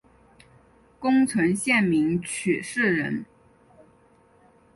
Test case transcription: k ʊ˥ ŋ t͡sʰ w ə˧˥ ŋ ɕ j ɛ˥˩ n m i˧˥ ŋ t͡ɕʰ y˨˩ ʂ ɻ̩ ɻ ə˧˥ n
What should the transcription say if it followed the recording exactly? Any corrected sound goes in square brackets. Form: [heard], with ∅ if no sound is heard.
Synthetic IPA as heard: k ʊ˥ ŋ t͡sʰ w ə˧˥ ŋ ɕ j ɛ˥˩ n m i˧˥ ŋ t͡ɕʰ y˨˩ ʂ ɻ̩ ɻ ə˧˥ n